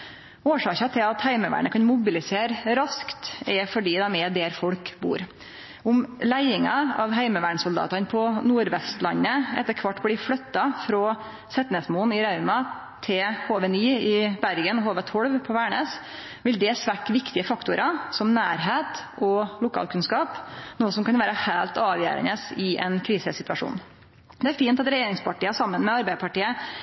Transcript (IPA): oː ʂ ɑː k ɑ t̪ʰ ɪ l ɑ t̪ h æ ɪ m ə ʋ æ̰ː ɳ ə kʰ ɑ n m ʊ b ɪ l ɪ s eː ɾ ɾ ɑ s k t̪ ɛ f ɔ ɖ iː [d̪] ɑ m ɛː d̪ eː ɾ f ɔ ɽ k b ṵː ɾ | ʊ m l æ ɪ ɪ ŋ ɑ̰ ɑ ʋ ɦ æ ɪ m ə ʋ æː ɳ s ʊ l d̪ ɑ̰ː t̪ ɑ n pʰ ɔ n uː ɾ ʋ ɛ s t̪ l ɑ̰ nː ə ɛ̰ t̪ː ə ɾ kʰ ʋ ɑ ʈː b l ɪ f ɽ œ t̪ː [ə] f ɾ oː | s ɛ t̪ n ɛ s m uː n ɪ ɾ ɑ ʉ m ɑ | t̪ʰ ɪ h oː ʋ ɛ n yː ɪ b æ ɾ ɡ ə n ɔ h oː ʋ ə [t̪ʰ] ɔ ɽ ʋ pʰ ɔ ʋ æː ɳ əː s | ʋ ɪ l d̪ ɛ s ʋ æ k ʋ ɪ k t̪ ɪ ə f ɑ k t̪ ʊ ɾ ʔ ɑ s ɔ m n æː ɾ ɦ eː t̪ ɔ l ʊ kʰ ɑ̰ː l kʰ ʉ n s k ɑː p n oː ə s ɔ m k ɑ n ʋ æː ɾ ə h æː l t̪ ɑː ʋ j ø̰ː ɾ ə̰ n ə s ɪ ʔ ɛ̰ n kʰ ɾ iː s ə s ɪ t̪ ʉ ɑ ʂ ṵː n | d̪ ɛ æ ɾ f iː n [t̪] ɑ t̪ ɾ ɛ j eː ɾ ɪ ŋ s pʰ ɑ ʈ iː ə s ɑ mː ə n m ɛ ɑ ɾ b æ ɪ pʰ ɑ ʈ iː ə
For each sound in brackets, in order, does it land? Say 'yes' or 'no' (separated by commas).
yes, no, yes, yes